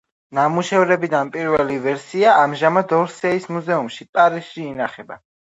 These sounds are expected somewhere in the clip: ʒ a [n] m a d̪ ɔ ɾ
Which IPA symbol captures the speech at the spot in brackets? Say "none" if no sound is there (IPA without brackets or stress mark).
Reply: none